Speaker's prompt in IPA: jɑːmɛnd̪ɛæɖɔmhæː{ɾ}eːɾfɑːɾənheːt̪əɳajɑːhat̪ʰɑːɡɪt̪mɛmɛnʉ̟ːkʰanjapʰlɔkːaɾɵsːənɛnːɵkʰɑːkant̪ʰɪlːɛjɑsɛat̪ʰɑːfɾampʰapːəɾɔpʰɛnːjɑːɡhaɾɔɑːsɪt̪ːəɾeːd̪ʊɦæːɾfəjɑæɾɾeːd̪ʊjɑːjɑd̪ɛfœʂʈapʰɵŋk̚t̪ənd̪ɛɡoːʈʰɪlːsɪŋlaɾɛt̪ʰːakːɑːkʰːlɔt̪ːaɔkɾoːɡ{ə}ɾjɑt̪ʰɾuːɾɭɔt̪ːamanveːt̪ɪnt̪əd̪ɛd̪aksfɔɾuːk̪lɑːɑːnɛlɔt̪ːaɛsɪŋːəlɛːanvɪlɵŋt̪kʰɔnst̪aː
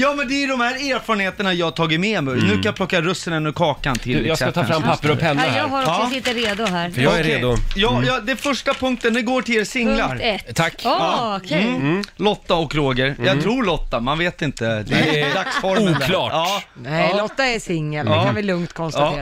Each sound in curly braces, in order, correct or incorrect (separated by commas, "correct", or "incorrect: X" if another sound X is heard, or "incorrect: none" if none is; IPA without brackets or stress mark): correct, correct